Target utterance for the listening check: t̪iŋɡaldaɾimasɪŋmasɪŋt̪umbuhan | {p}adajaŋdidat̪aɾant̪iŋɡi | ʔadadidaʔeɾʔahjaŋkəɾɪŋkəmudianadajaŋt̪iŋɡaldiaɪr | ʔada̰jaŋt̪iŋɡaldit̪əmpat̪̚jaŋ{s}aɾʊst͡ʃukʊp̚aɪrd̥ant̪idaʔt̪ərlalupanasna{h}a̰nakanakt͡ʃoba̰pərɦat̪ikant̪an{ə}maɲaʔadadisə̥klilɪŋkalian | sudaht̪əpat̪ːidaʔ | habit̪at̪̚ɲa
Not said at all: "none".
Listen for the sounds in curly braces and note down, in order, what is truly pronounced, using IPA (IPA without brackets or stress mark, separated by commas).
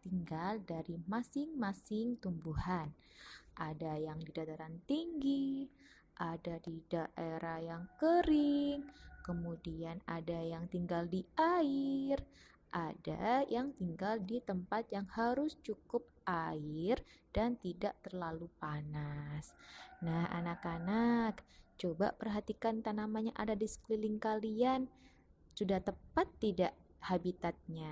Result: ʔ, h, h, a